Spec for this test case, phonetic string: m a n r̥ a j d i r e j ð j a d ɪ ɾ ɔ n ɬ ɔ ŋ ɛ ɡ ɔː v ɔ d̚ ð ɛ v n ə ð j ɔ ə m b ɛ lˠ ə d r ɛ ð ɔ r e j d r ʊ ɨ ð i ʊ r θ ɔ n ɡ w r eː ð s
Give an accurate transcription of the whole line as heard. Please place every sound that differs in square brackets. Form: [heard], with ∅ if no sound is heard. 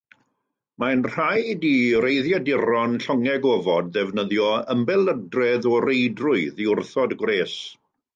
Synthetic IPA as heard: m a n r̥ a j d i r e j ð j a d ɪ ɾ ɔ n ɬ ɔ ŋ ɛ ɡ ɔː v ɔ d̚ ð ɛ v n ə ð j ɔ ə m b ɛ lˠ ə d r ɛ ð ɔ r e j d r ʊ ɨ ð i ʊ r θ ɔ [d] ɡ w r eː [∅] s